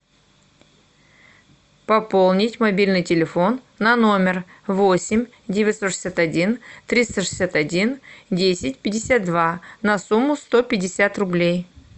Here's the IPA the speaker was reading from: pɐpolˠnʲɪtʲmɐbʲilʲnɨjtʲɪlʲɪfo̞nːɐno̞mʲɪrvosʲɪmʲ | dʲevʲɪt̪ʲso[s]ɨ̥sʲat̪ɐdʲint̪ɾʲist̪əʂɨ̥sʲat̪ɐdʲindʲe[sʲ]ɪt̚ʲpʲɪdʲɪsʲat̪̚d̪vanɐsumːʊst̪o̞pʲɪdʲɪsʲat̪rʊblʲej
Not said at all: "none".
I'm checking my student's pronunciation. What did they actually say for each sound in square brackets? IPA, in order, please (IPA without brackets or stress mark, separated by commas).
ʂ, sʲ